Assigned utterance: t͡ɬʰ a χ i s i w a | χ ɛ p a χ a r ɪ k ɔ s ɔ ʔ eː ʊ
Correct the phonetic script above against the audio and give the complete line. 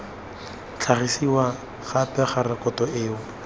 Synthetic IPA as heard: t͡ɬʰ a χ i s i w a | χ a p ɛ χ a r ɪ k ɔ t ɔ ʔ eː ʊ